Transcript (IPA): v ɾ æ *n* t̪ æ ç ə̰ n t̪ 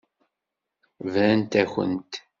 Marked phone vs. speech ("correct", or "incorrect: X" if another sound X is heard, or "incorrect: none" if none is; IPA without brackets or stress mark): correct